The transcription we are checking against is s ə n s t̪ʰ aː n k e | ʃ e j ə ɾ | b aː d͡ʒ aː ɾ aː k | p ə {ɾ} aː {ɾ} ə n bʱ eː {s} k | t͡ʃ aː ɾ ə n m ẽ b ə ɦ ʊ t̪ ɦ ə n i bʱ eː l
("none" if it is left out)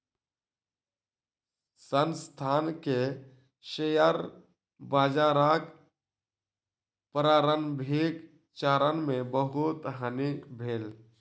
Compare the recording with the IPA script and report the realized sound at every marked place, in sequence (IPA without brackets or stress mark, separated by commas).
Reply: ɾ, ɾ, none